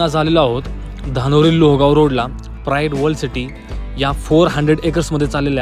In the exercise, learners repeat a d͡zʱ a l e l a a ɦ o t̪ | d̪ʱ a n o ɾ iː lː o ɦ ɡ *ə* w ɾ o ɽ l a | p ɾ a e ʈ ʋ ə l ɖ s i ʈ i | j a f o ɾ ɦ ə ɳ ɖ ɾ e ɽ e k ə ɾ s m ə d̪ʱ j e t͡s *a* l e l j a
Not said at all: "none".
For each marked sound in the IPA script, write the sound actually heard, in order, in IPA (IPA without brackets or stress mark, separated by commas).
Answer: a, a